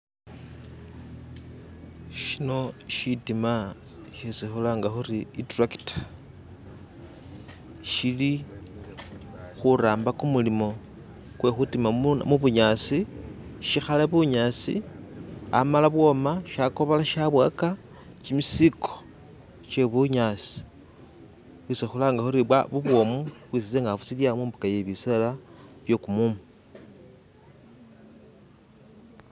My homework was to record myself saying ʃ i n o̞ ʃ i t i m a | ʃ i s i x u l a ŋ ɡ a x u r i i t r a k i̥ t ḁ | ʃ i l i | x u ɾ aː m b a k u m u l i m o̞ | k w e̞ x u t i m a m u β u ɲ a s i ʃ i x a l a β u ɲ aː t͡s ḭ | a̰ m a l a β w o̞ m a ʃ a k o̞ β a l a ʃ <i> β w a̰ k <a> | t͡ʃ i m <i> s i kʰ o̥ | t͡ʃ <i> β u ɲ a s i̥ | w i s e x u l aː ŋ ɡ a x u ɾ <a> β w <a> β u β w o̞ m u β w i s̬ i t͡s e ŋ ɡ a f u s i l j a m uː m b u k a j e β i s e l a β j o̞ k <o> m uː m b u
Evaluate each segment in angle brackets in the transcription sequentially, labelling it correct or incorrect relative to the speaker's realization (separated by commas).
incorrect, correct, correct, incorrect, incorrect, correct, incorrect